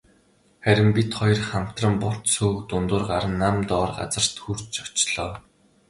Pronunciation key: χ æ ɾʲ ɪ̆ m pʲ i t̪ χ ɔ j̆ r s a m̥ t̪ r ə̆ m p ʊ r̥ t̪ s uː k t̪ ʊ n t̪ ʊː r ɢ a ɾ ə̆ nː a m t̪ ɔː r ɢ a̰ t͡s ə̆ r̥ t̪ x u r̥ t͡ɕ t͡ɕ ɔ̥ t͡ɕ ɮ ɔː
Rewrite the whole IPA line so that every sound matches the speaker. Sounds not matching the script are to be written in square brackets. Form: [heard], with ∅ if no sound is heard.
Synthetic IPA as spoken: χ æ ɾʲ ɪ̆ m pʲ i t̪ χ ɔ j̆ r [χ] a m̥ t̪ r ə̆ m p ʊ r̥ t̪ s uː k t̪ ʊ n t̪ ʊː r ɢ a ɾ ə̆ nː a m t̪ ɔː r ɢ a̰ t͡s ə̆ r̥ t̪ x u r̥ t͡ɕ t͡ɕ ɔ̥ t͡ɕ ɮ ɔː